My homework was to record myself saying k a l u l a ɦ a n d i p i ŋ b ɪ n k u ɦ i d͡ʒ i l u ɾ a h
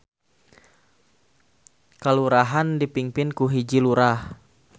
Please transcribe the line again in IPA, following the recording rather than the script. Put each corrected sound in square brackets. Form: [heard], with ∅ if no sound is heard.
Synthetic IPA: k a l u [ɾ] a ɦ a n d i p i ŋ [p] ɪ n k u ɦ i d͡ʒ i l u ɾ a h